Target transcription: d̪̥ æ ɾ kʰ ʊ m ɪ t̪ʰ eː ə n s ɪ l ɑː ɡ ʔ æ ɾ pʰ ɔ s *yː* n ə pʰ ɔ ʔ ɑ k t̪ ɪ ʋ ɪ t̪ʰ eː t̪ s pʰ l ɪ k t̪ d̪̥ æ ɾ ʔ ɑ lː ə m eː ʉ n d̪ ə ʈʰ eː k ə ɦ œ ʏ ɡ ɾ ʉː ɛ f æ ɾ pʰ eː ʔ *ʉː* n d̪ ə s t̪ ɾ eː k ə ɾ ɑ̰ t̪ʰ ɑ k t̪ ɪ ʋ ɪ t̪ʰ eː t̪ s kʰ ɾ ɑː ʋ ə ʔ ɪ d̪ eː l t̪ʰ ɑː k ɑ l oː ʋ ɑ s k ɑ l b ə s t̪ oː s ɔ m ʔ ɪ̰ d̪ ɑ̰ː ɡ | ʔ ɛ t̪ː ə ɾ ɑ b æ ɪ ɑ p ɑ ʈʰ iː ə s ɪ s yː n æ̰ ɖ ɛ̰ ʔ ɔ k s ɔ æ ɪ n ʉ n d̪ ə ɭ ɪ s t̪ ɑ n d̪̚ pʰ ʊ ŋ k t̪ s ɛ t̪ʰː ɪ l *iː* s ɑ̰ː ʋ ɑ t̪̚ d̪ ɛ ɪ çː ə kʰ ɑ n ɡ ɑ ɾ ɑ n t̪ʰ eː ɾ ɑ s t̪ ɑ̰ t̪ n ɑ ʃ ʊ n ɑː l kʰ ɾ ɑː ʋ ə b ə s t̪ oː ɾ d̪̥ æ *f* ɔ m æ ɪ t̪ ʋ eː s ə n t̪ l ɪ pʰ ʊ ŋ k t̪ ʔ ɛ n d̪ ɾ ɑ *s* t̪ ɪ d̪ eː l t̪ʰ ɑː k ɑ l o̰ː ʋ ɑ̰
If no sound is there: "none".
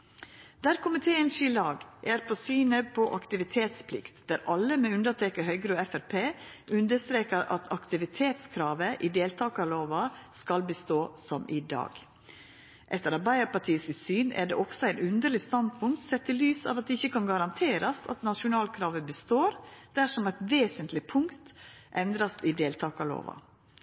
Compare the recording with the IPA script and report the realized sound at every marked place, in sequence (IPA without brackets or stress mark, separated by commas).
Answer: yː, ʉ, yː, ʂ, s